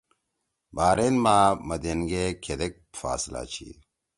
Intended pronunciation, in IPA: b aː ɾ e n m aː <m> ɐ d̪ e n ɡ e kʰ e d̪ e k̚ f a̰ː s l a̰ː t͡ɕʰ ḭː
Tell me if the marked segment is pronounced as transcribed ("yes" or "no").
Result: yes